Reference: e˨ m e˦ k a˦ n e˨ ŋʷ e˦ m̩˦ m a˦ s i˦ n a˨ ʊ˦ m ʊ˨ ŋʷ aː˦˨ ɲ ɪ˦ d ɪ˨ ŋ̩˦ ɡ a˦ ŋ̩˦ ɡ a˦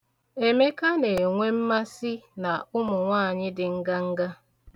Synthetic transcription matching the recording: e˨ m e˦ k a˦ n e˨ ŋʷ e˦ m̩˦ m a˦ s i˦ n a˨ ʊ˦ m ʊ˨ ŋʷ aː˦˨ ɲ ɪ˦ d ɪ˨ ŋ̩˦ ɡ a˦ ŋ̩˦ ɡ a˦